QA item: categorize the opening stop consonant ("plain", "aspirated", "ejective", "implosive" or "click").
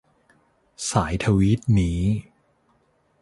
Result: aspirated